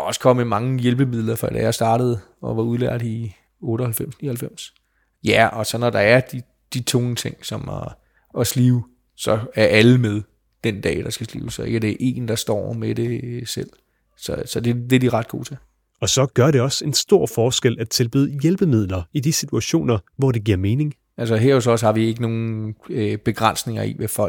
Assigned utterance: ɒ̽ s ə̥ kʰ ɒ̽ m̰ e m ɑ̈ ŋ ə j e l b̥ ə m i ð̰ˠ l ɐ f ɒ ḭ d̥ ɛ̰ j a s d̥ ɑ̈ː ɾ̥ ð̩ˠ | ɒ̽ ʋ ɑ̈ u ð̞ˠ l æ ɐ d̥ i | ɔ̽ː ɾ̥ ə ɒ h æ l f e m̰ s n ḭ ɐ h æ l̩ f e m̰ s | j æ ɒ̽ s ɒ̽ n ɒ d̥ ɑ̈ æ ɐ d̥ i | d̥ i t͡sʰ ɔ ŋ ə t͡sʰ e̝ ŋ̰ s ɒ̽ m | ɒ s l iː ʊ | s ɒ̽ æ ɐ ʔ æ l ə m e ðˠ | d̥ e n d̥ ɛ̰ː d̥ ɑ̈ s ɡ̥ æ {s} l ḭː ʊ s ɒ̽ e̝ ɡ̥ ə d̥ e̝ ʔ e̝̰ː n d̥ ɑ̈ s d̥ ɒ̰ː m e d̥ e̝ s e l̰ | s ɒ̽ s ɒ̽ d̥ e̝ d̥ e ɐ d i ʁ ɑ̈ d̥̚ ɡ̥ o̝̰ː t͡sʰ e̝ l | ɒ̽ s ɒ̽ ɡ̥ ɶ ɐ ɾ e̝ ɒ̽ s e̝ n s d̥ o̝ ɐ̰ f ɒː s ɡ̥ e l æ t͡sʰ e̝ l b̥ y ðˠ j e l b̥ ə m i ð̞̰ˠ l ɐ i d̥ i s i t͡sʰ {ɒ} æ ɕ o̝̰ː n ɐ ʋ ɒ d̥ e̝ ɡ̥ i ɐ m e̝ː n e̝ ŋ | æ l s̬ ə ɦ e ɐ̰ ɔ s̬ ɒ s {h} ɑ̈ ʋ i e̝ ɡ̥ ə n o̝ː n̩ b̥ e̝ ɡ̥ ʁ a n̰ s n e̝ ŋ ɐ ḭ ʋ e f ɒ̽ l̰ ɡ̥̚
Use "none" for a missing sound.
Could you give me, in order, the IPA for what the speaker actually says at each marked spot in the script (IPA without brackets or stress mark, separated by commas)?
s, u, h